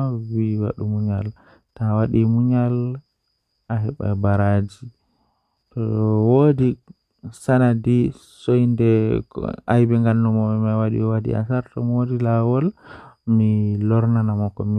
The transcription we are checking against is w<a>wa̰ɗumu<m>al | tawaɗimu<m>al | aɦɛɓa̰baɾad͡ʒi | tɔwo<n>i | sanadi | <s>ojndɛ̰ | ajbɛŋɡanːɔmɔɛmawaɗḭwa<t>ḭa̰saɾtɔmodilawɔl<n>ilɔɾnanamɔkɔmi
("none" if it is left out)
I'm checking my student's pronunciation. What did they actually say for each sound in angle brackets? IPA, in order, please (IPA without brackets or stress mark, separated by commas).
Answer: i, ɲ, ɲ, d, s, d, m